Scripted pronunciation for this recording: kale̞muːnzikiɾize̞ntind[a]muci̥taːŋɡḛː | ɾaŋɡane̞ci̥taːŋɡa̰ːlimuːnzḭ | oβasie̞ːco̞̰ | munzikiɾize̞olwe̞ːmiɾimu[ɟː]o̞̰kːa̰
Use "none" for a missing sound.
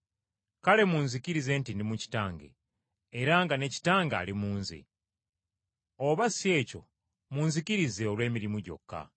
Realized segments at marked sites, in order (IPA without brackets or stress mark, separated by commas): i, ɟ